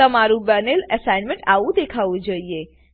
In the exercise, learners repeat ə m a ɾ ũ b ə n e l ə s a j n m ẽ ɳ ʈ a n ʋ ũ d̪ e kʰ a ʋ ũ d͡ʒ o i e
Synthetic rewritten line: ə m a ɾ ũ b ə n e l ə s a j n m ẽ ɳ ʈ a ʋ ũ d̪ e kʰ a ʋ ũ d͡ʒ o i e